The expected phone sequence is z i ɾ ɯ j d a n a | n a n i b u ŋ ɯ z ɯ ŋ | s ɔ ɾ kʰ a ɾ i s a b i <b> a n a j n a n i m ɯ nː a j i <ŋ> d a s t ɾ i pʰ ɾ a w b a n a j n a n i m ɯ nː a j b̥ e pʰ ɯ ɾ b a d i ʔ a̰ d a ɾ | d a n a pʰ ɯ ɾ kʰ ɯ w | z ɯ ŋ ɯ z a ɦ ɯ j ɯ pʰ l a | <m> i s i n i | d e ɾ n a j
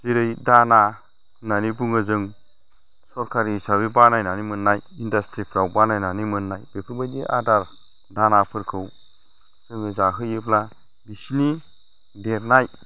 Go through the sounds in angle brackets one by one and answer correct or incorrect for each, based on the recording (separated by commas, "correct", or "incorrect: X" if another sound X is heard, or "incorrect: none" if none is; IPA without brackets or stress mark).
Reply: correct, incorrect: n, incorrect: b